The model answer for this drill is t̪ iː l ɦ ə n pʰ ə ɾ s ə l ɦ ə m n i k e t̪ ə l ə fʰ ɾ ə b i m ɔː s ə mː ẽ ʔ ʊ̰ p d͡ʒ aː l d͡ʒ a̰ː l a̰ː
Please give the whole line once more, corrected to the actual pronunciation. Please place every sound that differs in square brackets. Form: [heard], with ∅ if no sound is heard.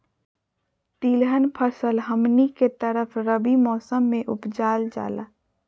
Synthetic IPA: t̪ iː l ɦ ə n pʰ ə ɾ s ə l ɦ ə m n i k e t̪ ə [ɾ] ə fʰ ɾ ə b i m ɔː s ə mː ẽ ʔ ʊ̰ p d͡ʒ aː l d͡ʒ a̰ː l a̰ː

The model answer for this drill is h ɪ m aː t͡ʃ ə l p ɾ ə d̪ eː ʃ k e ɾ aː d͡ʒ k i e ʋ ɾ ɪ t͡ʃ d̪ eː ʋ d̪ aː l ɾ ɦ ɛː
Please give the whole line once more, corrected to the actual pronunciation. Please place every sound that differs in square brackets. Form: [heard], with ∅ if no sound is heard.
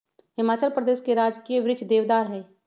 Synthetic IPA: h ɪ m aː t͡ʃ ə l p ɾ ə d̪ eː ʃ k e ɾ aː d͡ʒ k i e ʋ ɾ ɪ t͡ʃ d̪ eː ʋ d̪ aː [∅] ɾ ɦ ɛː

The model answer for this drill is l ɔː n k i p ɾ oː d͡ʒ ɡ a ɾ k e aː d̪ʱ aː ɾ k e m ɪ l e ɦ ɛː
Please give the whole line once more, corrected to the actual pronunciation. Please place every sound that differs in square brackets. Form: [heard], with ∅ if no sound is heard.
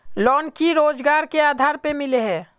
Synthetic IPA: l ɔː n k i [∅] ɾ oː d͡ʒ ɡ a ɾ k e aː d̪ʱ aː ɾ [p] e m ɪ l e ɦ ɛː

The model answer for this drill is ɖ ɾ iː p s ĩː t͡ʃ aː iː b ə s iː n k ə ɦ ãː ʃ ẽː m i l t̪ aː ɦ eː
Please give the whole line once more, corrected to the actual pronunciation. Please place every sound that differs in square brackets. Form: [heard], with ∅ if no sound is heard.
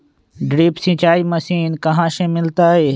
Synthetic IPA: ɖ ɾ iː p s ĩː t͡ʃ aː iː [m] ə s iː n k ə ɦ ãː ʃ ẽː m [ɪ] l t̪ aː ɦ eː

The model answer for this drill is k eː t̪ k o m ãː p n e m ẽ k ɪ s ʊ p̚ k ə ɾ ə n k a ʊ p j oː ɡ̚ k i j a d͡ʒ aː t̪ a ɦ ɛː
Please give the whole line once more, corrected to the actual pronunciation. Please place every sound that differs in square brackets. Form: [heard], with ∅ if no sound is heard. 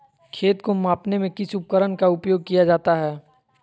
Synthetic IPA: [kʰ] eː t̪ k o m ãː p n e m ẽ k ɪ s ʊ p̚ k ə ɾ ə n k a ʊ p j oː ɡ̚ k i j a d͡ʒ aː t̪ a ɦ ɛː

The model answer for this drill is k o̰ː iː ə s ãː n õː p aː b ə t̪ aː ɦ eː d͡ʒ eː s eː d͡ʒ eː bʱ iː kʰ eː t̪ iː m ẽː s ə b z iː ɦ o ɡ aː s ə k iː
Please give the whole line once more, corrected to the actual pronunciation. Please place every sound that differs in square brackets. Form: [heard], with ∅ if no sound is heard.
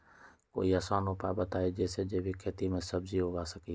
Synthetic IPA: k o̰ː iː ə s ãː n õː p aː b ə t̪ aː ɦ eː d͡ʒ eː s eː d͡ʒ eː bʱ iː kʰ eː t̪ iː m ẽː s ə b z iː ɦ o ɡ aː s ə k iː

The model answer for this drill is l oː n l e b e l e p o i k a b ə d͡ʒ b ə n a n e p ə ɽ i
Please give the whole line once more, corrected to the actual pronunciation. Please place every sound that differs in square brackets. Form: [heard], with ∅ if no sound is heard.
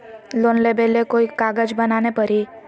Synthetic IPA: l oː n l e b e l e [k] o i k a [ɡ] ə d͡ʒ b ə n a n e p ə [ɾ] i

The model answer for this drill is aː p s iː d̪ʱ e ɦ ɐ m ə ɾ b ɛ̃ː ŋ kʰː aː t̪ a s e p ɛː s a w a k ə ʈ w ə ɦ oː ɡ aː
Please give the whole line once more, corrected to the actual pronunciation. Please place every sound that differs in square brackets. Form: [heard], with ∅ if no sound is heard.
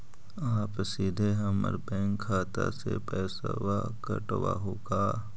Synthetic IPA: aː p s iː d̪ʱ e ɦ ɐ m ə ɾ b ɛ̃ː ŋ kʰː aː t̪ a s e p ɛː s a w a k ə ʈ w [a] ɦ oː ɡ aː

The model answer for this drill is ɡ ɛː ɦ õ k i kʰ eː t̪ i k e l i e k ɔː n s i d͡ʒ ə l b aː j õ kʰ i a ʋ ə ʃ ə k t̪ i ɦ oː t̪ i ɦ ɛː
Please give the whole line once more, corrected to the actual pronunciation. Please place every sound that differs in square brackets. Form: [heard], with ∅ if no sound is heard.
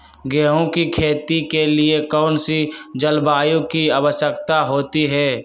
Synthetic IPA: ɡ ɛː ɦ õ k i kʰ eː t̪ i k e l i e k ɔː n s i d͡ʒ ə l b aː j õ [k] i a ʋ ə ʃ ə k t̪ [a] ɦ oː t̪ i ɦ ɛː

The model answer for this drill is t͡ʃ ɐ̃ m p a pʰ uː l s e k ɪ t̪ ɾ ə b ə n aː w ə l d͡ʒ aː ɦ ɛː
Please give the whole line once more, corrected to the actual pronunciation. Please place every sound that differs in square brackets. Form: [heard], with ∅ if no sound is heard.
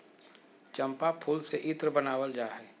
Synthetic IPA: t͡ʃ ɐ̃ m p a pʰ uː l s e [ʔ] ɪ t̪ ɾ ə b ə n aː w ə l d͡ʒ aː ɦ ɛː

